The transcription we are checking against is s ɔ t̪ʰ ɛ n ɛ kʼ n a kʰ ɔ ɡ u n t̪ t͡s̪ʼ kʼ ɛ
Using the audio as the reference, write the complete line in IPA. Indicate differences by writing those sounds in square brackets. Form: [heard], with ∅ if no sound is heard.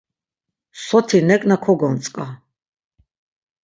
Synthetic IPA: s ɔ t̪ʰ [i] n ɛ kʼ n a kʰ ɔ ɡ [ɔ] n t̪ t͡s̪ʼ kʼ [a]